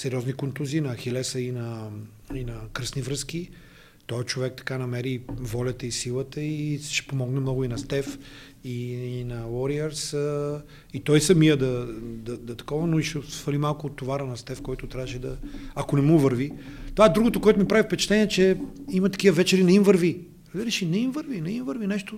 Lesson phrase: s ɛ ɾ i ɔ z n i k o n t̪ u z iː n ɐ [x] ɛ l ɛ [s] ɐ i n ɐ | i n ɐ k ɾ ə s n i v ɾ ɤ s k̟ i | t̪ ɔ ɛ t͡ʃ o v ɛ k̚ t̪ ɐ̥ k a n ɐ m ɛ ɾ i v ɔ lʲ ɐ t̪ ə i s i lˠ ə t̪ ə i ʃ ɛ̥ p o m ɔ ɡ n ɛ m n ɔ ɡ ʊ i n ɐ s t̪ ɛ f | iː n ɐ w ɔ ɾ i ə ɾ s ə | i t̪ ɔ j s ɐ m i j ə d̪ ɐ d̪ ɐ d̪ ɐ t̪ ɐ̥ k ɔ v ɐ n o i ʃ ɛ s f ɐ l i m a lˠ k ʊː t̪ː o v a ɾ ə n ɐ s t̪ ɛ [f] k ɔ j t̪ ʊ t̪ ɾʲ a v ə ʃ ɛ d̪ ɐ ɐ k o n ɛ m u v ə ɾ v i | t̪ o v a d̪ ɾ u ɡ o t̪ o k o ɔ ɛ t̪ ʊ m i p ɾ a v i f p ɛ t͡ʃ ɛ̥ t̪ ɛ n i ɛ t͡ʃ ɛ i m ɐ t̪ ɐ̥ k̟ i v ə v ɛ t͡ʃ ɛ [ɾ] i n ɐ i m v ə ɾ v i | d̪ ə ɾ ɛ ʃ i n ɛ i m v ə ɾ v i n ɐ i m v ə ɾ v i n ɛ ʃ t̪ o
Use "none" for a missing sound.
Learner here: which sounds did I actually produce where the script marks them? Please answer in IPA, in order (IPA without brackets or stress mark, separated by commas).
x, s, f, ɾ